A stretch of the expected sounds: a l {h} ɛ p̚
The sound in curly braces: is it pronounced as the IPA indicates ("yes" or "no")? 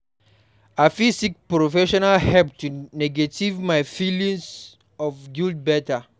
yes